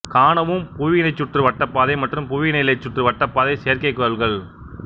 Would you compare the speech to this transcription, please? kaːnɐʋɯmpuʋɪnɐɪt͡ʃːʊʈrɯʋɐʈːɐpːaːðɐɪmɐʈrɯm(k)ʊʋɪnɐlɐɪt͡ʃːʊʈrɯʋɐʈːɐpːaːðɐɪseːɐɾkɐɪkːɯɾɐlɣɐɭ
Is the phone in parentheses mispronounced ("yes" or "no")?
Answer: yes